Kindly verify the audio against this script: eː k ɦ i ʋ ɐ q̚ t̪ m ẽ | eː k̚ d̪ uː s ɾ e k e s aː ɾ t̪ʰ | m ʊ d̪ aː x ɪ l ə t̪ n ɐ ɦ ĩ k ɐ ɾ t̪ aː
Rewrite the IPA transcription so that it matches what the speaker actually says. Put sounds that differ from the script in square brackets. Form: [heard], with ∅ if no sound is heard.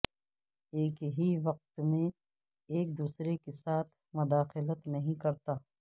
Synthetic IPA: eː k ɦ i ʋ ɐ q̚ t̪ m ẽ | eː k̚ d̪ uː s ɾ e k e s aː [∅] t̪ʰ | m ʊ d̪ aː x ɪ l ə t̪ n ɐ ɦ ĩ k ɐ ɾ t̪ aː